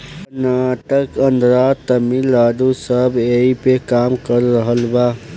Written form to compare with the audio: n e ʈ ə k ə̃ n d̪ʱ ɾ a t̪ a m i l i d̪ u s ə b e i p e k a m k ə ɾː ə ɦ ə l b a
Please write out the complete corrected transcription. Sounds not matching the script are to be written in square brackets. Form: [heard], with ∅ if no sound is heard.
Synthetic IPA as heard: n [a] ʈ ə k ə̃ n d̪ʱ ɾ a t̪ [ə] m i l [a] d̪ u s ə b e i p e k a m k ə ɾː ə ɦ ə l b a